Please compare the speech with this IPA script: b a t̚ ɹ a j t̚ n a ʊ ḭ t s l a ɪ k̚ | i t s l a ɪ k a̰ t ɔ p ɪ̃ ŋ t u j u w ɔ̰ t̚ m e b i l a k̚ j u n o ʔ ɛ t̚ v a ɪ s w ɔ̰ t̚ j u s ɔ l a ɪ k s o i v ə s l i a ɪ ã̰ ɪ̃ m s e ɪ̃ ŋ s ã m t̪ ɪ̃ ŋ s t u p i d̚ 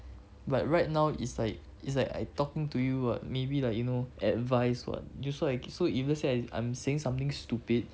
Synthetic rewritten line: b a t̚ ɹ a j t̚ n a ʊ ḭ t s l a ɪ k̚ | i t s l a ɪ k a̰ t ɔ k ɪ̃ ŋ t u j u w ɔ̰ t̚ m e b i l a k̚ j u n o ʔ ɛ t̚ v a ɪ s w ɔ̰ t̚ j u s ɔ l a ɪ k s o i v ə s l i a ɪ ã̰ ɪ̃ m s e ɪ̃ ŋ s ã m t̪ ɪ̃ ŋ s t u p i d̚